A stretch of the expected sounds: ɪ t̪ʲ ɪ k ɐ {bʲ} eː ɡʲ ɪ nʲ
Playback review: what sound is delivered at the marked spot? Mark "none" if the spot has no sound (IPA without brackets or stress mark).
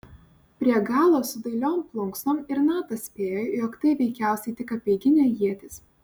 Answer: pʲ